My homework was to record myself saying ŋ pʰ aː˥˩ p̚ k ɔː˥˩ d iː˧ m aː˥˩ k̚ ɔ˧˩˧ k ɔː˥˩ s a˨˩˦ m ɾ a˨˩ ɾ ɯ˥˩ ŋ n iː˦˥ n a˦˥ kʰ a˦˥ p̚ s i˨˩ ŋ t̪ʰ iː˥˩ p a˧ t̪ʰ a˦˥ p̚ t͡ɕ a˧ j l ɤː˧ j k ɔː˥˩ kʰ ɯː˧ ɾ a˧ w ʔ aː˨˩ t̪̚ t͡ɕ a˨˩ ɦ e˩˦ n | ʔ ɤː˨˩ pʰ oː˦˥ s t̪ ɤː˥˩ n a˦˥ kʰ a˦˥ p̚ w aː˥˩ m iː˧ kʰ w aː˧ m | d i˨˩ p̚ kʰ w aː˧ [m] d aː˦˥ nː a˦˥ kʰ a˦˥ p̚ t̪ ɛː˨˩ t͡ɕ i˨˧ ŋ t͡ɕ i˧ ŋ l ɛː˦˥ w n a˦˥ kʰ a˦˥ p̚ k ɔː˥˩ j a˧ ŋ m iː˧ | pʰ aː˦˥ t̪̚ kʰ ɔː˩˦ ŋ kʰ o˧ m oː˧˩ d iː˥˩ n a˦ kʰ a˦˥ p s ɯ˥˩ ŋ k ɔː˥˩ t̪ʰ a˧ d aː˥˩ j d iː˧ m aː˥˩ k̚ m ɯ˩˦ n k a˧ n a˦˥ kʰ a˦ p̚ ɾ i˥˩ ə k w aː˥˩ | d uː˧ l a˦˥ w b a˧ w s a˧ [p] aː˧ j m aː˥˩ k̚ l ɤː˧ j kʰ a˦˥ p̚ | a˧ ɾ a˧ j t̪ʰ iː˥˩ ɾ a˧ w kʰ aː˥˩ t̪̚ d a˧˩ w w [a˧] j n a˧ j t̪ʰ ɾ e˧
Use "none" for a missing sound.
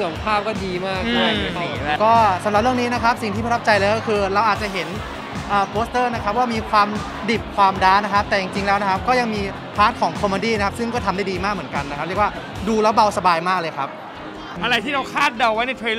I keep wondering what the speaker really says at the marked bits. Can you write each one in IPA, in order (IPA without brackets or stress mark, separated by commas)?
m, b, a˦˥